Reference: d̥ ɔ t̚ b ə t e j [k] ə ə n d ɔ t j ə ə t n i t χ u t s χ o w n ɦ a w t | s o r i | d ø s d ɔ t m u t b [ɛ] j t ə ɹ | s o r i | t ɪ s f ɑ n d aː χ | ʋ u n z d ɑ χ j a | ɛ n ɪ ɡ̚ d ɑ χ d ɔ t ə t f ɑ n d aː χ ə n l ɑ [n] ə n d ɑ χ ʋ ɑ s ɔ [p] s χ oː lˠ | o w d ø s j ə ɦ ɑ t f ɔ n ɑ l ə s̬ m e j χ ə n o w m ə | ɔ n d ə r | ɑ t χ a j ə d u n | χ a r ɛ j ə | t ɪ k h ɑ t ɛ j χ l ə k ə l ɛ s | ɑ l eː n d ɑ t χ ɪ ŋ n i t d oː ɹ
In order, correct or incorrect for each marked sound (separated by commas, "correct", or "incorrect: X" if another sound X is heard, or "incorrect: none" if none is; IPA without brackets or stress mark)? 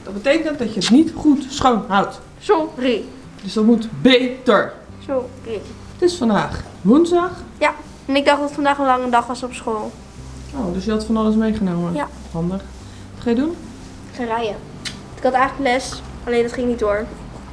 correct, incorrect: e, incorrect: ŋ, correct